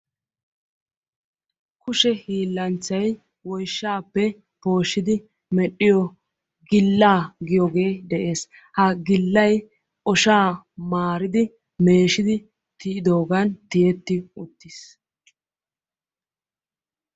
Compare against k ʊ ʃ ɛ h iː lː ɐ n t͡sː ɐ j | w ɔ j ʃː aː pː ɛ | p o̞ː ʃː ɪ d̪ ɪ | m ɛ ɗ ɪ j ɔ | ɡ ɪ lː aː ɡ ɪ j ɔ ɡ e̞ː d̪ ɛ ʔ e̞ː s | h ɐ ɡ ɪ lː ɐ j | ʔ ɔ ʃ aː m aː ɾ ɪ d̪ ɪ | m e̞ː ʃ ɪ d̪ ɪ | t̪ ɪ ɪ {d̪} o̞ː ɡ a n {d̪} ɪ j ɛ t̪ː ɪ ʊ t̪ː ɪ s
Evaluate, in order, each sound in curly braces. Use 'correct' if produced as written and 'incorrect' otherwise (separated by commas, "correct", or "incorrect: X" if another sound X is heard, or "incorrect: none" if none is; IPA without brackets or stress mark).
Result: correct, incorrect: t̪